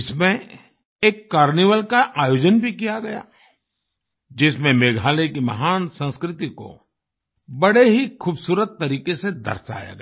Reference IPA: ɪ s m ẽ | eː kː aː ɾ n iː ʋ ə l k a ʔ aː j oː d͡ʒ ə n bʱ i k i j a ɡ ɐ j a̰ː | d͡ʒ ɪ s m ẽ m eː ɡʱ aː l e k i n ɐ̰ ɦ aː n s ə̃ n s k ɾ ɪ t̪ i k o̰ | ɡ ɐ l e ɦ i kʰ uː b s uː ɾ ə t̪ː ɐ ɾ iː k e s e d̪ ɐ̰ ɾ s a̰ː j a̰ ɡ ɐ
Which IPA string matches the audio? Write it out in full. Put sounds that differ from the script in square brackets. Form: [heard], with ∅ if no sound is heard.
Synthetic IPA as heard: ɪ s m ẽ | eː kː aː ɾ n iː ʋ ə l k a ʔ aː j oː d͡ʒ ə n bʱ i k i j a ɡ ɐ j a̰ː | d͡ʒ ɪ s m ẽ m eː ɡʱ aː l e k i [m] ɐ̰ ɦ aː n s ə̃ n s k ɾ ɪ t̪ i k o̰ | [b] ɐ [ɽ] e ɦ i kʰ uː b s uː ɾ ə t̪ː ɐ ɾ iː k e s e d̪ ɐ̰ ɾ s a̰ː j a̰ ɡ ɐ

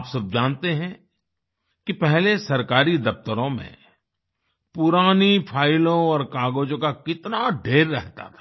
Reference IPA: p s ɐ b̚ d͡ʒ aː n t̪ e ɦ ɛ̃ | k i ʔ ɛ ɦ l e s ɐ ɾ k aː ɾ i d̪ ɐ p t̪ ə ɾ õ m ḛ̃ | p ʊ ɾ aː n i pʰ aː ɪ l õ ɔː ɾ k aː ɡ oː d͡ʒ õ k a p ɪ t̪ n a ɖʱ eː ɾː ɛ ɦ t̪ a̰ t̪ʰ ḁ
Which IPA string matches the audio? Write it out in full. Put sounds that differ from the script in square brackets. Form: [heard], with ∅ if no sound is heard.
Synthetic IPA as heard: p s ɐ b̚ d͡ʒ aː n t̪ e ɦ ɛ̃ | k i [p] ɛ ɦ l e s ɐ ɾ k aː ɾ i d̪ ɐ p t̪ ə ɾ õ m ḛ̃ | p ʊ ɾ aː n i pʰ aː ɪ l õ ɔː ɾ k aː ɡ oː d͡ʒ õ k a [k] ɪ t̪ n a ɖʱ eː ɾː ɛ ɦ t̪ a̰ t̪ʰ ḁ

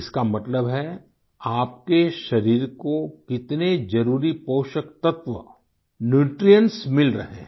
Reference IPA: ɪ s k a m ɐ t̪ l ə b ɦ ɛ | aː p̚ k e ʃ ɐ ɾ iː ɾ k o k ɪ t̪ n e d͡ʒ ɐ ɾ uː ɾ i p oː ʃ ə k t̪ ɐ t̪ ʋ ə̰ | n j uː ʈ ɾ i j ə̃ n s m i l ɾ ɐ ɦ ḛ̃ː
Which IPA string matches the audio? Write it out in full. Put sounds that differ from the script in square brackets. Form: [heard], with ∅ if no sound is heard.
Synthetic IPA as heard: ɪ s k a m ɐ t̪ l ə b ɦ ɛ | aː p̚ k e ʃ ɐ ɾ iː ɾ k o k ɪ t̪ n e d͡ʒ ɐ ɾ uː ɾ i p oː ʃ ə k t̪ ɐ t̪ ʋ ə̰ | n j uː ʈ ɾ i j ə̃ n s m [ɪ] l ɾ ɐ ɦ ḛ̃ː

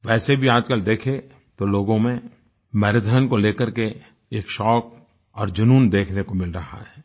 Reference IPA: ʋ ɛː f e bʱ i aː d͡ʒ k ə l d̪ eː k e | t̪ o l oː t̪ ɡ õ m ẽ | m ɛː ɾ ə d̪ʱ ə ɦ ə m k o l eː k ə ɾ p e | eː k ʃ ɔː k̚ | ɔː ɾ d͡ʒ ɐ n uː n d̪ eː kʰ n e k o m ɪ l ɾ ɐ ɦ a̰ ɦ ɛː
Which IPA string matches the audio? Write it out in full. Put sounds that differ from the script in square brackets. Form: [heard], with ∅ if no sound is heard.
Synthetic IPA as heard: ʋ ɛː [s] e bʱ i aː d͡ʒ k ə l d̪ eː [kʰ] e | t̪ o l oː [∅] ɡ õ m ẽ | m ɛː ɾ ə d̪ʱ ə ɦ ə [n] k o l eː k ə ɾ [k] e | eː k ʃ ɔː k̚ | ɔː ɾ d͡ʒ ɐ n uː n d̪ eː kʰ n e k o m ɪ l ɾ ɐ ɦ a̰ ɦ ɛː

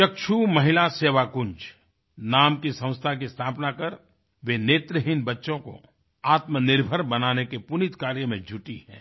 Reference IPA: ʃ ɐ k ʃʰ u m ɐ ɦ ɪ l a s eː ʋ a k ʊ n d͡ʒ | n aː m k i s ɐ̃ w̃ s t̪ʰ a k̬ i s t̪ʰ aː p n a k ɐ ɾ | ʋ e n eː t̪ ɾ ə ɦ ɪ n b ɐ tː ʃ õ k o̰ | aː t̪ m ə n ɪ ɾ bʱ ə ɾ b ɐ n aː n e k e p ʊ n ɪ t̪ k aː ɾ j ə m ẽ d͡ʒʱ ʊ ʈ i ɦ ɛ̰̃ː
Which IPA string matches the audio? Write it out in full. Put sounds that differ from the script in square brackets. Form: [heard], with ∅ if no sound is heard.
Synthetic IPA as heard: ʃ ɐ k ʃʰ u m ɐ ɦ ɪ l a s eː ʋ a k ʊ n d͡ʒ | n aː m k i s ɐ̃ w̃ s t̪ʰ a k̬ i s t̪ʰ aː p n a k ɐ ɾ | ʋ e n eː t̪ ɾ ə ɦ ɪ n b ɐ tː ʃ õ k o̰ | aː t̪ m ə n ɪ ɾ bʱ ə ɾ b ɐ n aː n e k e p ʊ n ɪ t̪ k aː ɾ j ə m ẽ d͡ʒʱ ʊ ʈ i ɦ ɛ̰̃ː

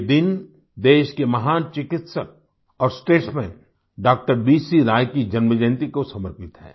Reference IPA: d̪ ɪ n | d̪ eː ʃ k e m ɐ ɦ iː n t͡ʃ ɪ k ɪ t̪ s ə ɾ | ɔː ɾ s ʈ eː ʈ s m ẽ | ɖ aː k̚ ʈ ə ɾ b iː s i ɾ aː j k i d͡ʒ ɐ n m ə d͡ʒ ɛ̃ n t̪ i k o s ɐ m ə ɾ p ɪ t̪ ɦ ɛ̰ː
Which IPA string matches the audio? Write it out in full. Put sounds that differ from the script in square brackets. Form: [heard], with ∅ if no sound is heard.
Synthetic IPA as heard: d̪ ɪ n | d̪ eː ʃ k e m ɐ ɦ [aː] n t͡ʃ ɪ k ɪ t̪ s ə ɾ | ɔː ɾ s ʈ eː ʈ s m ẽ | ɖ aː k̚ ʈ ə ɾ b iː s i ɾ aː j k i d͡ʒ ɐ n m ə d͡ʒ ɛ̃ n t̪ i k o s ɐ m ə ɾ p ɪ t̪ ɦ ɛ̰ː

